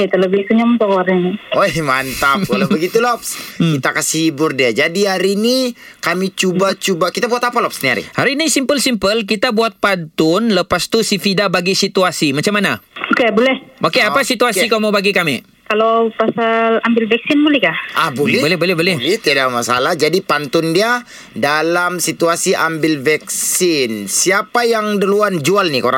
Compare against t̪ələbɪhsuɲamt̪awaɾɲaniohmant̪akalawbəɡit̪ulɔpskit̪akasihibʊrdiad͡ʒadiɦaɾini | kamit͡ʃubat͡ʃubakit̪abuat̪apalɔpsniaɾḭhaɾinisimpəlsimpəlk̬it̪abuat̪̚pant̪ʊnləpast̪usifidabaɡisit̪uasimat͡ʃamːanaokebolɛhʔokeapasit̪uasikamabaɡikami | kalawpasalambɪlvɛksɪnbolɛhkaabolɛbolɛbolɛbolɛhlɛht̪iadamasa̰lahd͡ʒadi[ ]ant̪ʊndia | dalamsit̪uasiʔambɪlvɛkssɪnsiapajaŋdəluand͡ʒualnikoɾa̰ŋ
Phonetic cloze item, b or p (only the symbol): p